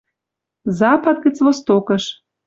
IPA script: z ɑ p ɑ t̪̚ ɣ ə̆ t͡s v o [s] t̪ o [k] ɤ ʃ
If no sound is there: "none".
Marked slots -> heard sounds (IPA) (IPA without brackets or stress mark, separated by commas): s, k